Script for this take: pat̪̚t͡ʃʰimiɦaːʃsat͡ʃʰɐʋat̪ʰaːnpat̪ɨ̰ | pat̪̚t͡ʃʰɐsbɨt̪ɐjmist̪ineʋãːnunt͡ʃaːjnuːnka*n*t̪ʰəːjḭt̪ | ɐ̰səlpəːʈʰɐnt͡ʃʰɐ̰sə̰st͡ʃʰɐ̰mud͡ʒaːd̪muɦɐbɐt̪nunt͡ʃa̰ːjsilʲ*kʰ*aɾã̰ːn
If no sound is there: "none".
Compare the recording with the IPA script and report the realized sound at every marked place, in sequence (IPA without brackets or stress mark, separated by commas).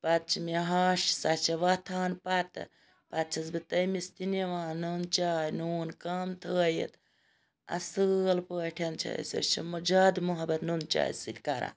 m, k